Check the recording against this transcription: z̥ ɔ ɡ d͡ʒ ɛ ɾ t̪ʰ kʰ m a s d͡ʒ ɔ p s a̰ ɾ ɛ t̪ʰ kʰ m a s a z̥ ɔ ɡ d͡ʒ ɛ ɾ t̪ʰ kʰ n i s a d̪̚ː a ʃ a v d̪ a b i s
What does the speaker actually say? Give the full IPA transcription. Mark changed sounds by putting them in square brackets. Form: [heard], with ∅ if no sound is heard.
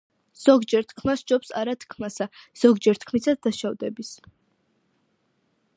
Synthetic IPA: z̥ ɔ ɡ d͡ʒ ɛ ɾ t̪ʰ kʰ m a s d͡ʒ ɔ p s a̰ ɾ [a] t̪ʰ kʰ m a s a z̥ ɔ ɡ d͡ʒ ɛ ɾ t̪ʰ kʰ [m] i s a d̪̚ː a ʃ a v d̪ [ɛ] b i s